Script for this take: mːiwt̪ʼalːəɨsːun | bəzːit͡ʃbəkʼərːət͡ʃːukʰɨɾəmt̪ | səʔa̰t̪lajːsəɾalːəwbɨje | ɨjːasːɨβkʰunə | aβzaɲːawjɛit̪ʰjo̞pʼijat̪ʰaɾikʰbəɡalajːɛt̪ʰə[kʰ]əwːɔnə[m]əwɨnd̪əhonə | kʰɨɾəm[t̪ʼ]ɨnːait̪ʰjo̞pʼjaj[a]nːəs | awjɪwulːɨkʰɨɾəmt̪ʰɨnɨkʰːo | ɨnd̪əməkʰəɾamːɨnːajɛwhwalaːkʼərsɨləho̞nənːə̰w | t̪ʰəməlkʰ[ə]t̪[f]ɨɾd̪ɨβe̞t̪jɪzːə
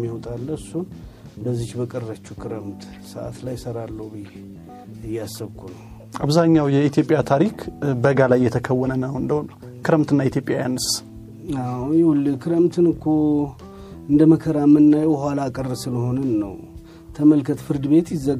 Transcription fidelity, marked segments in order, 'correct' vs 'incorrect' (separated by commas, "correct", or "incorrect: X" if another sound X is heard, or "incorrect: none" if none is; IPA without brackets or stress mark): correct, incorrect: n, incorrect: t̪, correct, correct, correct